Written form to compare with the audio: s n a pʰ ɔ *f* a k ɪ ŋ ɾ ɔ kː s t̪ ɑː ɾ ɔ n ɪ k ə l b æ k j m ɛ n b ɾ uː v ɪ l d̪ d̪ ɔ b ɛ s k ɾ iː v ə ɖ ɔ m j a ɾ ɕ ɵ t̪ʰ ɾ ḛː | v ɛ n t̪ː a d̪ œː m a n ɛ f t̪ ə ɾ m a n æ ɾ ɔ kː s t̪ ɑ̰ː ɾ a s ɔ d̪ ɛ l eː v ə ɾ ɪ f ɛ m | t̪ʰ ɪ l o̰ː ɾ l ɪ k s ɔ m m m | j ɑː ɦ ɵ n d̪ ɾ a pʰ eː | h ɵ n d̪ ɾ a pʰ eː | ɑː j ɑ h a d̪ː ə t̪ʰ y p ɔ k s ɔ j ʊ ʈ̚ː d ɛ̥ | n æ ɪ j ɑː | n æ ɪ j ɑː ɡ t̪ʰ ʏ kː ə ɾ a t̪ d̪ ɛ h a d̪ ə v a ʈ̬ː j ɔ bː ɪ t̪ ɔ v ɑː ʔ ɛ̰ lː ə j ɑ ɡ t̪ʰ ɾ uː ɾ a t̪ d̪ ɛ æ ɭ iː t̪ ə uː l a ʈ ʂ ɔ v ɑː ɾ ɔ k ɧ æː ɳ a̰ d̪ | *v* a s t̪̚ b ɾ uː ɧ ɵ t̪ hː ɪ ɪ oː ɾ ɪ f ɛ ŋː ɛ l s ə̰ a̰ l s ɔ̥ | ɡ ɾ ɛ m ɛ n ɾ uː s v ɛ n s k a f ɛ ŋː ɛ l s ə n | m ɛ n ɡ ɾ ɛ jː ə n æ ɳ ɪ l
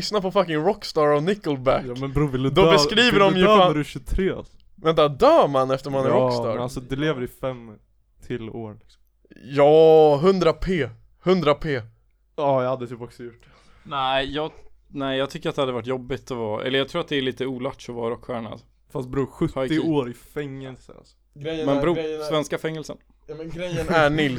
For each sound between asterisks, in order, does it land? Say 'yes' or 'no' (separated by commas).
yes, no